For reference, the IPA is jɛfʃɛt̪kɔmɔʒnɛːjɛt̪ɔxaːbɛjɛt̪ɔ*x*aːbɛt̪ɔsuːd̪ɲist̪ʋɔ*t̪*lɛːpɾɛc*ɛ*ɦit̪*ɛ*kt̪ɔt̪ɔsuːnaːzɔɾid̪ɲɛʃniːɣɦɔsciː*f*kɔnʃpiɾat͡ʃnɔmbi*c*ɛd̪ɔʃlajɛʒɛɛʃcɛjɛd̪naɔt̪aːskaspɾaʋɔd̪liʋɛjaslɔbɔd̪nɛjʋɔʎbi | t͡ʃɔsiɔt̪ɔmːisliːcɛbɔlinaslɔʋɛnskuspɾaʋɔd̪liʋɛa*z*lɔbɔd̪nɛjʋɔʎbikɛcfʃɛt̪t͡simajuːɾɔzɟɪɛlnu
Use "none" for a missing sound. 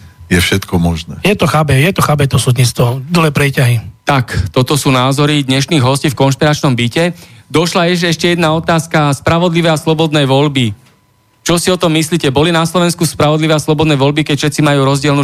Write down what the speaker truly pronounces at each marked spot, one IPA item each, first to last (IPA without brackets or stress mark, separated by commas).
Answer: x, d̪, a, a, f, c, s